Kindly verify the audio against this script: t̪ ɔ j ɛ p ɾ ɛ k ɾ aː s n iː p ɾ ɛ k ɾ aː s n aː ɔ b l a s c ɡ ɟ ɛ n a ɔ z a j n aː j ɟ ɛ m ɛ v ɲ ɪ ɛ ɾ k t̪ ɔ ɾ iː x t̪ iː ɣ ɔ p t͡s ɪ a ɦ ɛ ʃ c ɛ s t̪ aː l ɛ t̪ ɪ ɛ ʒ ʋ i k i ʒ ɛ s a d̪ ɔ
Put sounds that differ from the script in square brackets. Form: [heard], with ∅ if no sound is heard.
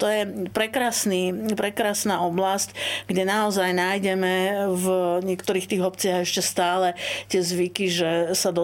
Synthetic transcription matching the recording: t̪ ɔ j ɛ p ɾ ɛ k ɾ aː s n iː p ɾ ɛ k ɾ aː s n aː ɔ b l a s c ɡ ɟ ɛ n a ɔ z a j n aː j ɟ ɛ m ɛ v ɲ ɪ ɛ [∅] k t̪ ɔ ɾ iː x t̪ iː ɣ ɔ p t͡s ɪ a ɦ ɛ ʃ c ɛ s t̪ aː l ɛ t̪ ɪ ɛ [z] ʋ i k i ʒ ɛ s a d̪ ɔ